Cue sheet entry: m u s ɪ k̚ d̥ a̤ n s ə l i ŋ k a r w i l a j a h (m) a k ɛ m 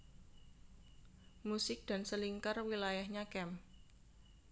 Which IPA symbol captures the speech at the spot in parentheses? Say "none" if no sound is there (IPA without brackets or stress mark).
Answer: ɲ